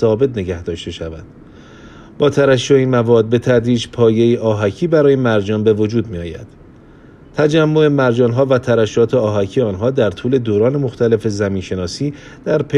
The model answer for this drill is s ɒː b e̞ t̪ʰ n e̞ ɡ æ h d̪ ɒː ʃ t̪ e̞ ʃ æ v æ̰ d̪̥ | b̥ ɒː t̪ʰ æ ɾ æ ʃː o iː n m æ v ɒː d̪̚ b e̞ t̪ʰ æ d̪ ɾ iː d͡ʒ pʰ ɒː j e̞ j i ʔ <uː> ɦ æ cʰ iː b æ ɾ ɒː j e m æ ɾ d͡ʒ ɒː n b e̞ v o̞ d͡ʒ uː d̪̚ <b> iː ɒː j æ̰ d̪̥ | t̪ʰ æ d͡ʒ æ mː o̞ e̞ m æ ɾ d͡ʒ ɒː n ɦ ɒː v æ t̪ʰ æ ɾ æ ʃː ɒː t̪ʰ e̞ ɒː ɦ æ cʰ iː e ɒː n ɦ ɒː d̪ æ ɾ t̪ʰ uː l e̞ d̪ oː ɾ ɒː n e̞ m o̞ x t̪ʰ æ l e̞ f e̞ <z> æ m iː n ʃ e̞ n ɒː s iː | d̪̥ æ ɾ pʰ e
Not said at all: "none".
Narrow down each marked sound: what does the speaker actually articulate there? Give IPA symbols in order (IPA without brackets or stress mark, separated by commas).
ɒː, m, z